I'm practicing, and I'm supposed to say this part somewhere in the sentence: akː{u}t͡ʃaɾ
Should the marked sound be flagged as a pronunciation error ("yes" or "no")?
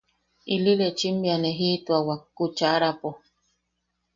no